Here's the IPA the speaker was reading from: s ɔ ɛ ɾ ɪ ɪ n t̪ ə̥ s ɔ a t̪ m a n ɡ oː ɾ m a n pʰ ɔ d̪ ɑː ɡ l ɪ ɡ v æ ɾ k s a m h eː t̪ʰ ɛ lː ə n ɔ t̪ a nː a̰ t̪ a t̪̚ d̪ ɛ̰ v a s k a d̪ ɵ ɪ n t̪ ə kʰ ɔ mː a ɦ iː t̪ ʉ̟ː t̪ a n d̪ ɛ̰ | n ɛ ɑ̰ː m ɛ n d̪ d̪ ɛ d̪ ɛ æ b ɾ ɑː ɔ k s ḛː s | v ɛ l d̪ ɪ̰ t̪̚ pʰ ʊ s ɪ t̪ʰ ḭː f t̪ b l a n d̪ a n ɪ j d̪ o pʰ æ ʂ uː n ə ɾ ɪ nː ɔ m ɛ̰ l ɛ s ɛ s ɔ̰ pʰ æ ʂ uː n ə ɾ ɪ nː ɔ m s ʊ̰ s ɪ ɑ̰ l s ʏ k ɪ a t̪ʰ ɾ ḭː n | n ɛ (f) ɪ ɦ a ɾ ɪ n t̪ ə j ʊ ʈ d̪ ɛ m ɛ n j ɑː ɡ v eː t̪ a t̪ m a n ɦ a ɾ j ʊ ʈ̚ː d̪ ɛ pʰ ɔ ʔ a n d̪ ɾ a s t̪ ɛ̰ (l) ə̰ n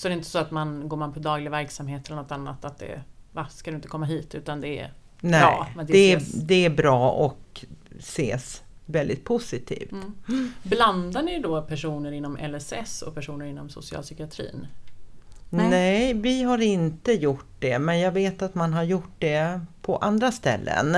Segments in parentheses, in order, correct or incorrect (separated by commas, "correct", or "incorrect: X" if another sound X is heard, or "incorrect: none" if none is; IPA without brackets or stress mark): incorrect: v, incorrect: lː